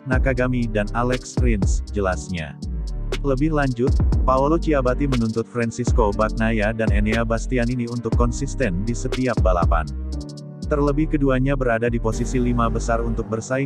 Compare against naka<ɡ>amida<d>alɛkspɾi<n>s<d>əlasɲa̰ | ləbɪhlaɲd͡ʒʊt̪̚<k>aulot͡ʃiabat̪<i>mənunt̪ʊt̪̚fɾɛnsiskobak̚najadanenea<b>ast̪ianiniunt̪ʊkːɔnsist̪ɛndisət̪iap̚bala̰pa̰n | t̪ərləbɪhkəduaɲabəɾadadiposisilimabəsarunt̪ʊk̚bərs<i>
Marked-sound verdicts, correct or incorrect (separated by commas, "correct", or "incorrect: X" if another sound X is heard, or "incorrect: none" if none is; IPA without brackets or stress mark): correct, incorrect: n, correct, incorrect: d͡ʒ, incorrect: p, correct, correct, incorrect: a